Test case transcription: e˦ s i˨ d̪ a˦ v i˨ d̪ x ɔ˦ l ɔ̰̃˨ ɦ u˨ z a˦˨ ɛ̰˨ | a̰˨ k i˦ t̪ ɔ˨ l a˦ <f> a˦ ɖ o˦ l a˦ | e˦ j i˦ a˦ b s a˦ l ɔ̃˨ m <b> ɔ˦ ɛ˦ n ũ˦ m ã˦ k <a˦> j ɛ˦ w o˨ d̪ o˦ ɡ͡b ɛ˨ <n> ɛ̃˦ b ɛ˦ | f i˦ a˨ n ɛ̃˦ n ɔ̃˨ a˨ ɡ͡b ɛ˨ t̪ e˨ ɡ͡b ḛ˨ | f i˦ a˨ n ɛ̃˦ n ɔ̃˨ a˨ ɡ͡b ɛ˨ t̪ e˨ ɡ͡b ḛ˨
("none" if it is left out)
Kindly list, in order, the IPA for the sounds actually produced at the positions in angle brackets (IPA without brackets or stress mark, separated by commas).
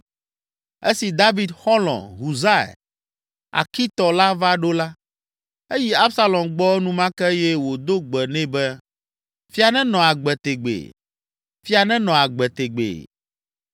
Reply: v, ɡ͡b, ɛ˦, n